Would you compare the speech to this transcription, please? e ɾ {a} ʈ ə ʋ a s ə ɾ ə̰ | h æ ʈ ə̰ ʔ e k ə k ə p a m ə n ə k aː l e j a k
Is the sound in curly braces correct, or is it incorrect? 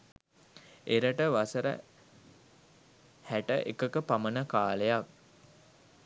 incorrect